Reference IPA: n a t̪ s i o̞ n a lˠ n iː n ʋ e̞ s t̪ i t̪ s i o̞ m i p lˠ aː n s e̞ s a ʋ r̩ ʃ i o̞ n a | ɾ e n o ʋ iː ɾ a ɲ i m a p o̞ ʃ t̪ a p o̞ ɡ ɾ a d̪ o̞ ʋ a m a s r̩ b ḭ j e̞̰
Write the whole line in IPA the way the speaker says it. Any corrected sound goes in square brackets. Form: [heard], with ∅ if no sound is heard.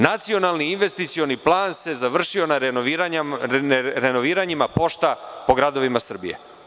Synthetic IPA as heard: n a t̪ s i o̞ n a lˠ n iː n ʋ e̞ s t̪ i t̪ s i o̞ [n] i p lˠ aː n s e̞ [z] a ʋ r̩ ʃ i o̞ n a | ɾ e n o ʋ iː ɾ a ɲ i m a p o̞ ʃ t̪ a p o̞ ɡ ɾ a d̪ o̞ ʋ [i] m a s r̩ b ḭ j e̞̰